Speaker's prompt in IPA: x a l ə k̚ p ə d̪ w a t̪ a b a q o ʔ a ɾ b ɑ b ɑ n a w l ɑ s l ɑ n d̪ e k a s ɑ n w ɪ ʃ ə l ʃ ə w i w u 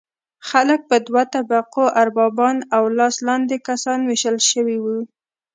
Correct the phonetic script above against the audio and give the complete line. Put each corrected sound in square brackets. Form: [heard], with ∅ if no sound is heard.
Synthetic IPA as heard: x a l ə k̚ p ə d̪ w a t̪ a b a q o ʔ a ɾ b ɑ b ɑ n a w l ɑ s l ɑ n d̪ e k a s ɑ n w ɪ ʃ ə l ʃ ə w i w u

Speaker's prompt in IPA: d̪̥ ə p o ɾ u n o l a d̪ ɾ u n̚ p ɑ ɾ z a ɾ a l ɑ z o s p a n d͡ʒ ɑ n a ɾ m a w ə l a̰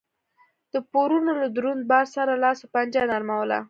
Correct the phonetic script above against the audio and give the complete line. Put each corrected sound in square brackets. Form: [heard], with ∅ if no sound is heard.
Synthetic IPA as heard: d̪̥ ə p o ɾ u n o l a d̪ ɾ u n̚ [b] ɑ ɾ [s] a ɾ a l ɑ [s] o [∅] p a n d͡ʒ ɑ n a ɾ m a w ə l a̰

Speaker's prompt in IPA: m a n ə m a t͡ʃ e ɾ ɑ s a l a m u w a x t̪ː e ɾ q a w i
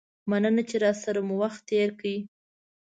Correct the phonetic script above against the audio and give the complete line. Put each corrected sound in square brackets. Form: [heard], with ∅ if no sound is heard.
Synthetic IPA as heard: m a n ə [n] a t͡ʃ e ɾ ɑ s a [ɾ] a m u w a x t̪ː e ɾ [k] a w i

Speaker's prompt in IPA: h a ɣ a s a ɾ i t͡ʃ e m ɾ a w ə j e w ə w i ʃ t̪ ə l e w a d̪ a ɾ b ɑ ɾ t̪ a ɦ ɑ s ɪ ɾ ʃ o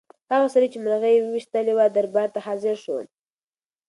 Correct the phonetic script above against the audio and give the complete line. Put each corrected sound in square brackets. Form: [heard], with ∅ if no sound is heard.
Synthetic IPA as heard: h a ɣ a s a ɾ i t͡ʃ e m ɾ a [ɣ] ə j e w ə w i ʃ t̪ ə l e w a d̪ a ɾ b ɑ ɾ t̪ a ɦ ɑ [z] ɪ ɾ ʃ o

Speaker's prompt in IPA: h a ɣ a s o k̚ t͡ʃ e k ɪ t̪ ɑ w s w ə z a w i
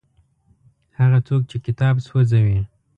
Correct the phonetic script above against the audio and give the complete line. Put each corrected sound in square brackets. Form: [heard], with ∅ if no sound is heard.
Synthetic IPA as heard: h a ɣ a [t͡s] o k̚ t͡ʃ e k ɪ t̪ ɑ [b] s w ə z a w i

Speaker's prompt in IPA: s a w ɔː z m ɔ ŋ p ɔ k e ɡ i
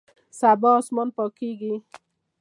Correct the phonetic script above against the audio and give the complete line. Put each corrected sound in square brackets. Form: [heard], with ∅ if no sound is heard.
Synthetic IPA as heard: s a [b] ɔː [s] m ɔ [n] p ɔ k [i] ɡ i

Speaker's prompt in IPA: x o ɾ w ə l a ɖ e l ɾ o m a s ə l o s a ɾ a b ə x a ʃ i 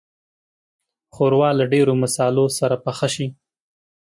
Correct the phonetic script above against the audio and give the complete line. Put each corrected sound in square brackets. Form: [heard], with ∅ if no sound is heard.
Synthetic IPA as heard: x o ɾ w [ɑ] l a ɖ e [∅] ɾ o m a s [ɑ] l o s a ɾ a [p] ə x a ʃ i

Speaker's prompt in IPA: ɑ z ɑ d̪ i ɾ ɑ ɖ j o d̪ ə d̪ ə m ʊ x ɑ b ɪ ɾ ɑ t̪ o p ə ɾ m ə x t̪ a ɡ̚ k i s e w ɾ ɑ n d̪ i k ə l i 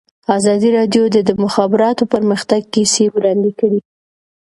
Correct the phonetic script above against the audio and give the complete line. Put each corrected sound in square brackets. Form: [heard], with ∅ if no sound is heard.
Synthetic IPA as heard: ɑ z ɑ d̪ i ɾ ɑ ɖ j o d̪ ə d̪ ə m ʊ x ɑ b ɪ ɾ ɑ t̪ o p ə ɾ m ə x t̪ a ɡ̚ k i s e w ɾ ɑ n d̪ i k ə [ɽ] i

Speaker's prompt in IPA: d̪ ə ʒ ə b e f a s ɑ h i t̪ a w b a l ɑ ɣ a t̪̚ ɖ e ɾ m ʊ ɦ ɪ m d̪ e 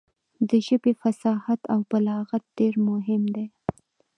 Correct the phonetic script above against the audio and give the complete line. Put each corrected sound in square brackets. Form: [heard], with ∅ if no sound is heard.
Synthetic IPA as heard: d̪ ə ʒ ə b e f a s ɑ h [a] t̪ a w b a l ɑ ɣ a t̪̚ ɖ e ɾ m ʊ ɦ ɪ m d̪ e

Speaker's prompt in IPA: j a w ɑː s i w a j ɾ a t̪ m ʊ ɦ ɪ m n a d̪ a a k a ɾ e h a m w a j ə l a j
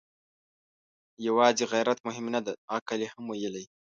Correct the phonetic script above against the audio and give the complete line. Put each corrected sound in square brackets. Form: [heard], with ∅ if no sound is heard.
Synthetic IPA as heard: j a w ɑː [z] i [ɣ] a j ɾ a t̪ m ʊ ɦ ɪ m n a d̪ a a k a [l] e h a m w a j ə l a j

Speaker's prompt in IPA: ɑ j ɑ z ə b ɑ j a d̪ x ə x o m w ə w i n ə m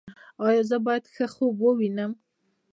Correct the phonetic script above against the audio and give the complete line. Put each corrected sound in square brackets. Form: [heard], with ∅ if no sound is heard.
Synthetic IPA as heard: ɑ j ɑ z ə b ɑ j a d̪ x ə x o [b] w ə w i n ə m

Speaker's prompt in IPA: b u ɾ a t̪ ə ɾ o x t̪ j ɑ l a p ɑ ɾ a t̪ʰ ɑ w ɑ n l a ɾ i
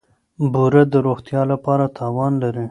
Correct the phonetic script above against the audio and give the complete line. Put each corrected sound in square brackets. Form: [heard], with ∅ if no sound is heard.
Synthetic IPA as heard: b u ɾ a [d̪] ə ɾ o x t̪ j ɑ l a p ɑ ɾ a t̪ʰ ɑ w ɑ n l a ɾ i

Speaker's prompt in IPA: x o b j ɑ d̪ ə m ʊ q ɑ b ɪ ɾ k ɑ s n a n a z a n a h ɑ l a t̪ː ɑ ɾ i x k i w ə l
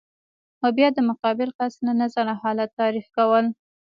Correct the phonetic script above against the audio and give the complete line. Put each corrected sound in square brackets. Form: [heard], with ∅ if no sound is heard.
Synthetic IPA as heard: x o b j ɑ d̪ ə m ʊ q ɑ b ɪ [l] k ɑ s n a n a z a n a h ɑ l a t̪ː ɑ ɾ i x k [a] w ə l

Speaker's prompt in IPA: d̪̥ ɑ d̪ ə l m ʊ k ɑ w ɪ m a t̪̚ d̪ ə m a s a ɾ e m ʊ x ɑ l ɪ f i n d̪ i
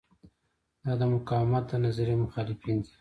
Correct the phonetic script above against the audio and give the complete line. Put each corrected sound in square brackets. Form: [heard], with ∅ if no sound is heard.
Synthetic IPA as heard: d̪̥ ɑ d̪ ə [∅] m ʊ k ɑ w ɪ m a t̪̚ d̪ ə [n] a [z] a ɾ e m ʊ x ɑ l ɪ f i n d̪ i

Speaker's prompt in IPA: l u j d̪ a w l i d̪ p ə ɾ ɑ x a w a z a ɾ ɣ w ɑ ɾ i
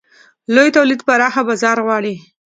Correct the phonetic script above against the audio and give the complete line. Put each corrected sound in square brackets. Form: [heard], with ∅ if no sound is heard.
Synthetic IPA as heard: l [o] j [t̪] a w l i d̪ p [a] ɾ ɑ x a [b] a z [ɑ] ɾ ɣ w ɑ [ɽ] i

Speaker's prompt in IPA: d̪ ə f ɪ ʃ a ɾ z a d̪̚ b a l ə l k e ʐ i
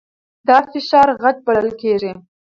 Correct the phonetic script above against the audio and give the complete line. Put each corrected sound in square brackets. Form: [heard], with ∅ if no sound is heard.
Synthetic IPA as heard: d̪ [ɑ] f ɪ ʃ [ɑ] ɾ [ɣ] a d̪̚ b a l ə l k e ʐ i

